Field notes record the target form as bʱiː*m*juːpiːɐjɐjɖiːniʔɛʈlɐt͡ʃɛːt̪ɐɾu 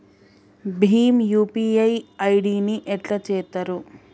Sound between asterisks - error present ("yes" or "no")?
no